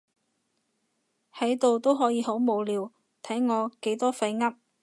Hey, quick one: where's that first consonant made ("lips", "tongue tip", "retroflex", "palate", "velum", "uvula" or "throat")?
throat